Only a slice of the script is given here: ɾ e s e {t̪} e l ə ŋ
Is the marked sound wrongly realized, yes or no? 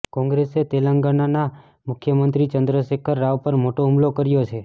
no